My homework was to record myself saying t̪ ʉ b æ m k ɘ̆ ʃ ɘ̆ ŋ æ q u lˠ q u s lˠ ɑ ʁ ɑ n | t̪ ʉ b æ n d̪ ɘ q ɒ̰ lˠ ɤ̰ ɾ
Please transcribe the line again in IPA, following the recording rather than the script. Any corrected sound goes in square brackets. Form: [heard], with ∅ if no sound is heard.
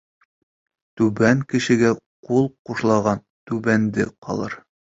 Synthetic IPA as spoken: t̪ ʉ b æ [ŋ] k ɘ̆ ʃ ɘ̆ [ɡ] æ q u lˠ q u [ʃ] lˠ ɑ ʁ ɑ n | t̪ ʉ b æ n d̪ ɘ q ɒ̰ lˠ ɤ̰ ɾ